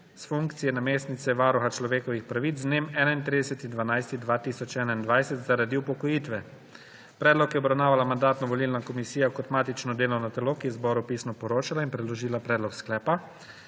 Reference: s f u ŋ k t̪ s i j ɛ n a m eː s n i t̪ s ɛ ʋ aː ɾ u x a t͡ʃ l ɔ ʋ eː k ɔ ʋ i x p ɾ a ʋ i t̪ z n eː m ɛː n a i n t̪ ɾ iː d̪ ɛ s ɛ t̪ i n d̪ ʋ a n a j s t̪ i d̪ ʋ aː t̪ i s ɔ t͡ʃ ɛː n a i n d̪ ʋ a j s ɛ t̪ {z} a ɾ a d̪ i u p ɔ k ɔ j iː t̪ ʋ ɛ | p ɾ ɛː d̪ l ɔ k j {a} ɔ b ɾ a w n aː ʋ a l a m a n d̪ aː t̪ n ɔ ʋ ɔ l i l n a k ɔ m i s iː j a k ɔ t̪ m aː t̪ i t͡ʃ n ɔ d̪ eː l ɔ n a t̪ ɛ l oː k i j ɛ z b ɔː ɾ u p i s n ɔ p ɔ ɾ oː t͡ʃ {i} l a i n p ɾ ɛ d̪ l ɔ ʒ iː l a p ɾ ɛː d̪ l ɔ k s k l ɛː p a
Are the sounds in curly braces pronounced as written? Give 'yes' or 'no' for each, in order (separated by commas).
yes, no, no